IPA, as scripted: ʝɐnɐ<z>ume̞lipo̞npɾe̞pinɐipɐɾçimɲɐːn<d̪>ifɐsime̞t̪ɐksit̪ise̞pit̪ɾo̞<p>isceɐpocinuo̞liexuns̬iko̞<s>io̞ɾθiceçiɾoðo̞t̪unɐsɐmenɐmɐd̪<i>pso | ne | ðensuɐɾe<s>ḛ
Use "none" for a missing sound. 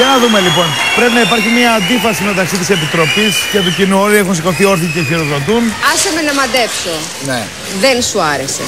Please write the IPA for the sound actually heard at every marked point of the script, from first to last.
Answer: ð, d̪, p, θ, e, s

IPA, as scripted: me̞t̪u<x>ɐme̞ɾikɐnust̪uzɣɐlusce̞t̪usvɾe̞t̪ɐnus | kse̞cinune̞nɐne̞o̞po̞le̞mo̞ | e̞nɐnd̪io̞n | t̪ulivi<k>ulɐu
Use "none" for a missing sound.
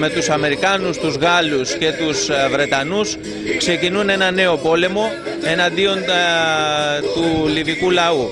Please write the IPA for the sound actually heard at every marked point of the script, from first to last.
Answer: s, k

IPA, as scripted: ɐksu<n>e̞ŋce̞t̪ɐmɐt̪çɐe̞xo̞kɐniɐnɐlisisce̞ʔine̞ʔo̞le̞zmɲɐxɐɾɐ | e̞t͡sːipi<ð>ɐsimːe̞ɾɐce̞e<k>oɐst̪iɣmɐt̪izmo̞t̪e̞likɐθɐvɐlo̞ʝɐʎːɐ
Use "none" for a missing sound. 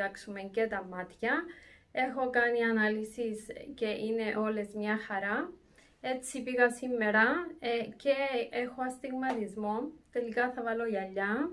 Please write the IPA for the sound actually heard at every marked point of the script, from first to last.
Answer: m, ɣ, x

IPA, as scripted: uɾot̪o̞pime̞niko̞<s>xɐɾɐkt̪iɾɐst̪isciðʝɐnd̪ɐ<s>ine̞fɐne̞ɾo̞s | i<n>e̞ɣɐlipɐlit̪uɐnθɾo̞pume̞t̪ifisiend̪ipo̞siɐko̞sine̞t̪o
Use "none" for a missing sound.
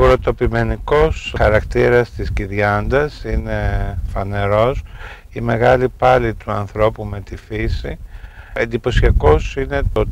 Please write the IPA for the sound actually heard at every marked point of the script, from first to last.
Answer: s, s, m

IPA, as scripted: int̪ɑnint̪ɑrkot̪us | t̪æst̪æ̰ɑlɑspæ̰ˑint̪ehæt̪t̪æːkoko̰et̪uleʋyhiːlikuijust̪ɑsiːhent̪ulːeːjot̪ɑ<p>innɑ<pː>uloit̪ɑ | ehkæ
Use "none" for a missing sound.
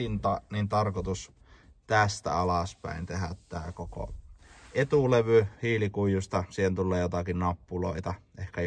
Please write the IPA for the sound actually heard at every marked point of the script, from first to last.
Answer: k, pː

